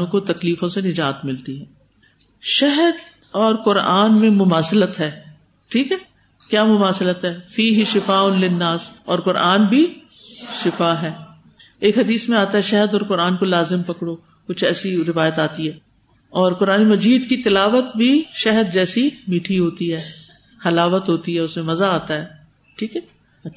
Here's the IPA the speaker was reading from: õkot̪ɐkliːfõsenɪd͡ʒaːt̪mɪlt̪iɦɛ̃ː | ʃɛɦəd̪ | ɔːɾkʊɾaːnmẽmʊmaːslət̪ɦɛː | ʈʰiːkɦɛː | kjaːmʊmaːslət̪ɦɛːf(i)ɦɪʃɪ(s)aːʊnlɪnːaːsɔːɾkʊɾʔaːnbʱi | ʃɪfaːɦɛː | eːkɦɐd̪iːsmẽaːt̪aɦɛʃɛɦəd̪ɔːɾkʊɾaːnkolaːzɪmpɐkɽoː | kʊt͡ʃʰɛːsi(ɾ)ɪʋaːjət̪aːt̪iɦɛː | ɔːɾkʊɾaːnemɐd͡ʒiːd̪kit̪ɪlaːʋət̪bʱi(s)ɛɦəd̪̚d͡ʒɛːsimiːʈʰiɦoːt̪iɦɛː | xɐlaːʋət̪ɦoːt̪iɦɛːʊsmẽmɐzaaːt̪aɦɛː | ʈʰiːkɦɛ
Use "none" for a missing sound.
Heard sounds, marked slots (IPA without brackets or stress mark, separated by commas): iː, f, ɾ, ʃ